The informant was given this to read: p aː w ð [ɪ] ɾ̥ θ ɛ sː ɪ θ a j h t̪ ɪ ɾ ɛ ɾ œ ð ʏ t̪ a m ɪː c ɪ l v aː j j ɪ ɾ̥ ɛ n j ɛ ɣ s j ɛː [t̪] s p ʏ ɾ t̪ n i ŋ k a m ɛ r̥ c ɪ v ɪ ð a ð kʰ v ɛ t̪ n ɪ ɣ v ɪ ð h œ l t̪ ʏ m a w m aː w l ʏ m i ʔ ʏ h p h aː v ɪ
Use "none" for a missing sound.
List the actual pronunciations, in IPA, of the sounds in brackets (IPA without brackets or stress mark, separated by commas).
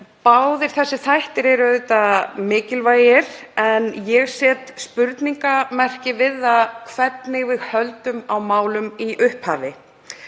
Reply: ɪ, t̪